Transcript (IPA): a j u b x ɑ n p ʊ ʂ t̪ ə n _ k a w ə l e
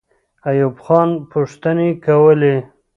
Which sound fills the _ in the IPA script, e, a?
e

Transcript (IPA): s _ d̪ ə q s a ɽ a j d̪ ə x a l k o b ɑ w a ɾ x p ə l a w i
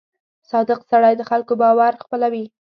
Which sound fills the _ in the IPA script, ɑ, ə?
ɑ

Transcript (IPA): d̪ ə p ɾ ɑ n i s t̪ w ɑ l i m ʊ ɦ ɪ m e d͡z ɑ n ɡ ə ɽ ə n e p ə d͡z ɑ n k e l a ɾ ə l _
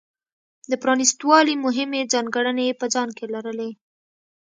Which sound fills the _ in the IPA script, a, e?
e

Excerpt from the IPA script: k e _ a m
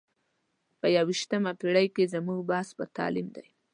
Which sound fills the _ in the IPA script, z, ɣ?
z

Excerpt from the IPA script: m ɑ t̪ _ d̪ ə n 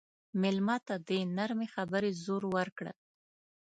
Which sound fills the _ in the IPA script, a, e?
a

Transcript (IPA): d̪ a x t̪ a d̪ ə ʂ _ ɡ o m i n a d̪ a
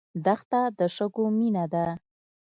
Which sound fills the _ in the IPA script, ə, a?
ə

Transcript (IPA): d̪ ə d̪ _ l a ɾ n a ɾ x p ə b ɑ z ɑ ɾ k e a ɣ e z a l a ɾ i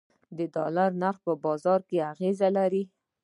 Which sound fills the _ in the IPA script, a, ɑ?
ɑ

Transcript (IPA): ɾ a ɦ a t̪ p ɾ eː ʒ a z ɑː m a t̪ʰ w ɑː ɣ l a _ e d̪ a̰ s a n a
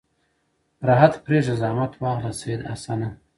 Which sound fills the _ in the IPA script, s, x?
s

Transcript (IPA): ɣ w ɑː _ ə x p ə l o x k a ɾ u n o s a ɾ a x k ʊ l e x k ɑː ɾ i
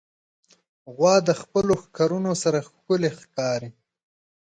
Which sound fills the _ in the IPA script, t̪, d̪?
d̪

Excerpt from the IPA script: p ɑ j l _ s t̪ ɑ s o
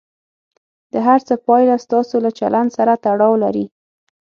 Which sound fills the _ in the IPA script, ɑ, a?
a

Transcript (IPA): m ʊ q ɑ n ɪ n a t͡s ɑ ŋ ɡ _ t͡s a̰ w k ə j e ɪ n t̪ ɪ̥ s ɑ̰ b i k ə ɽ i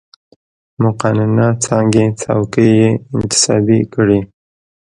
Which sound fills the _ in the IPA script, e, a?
e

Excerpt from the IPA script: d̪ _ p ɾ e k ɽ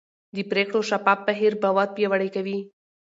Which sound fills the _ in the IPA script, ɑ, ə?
ə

